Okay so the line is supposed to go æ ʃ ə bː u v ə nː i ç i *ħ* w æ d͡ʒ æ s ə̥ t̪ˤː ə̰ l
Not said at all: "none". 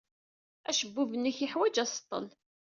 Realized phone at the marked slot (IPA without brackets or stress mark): ħ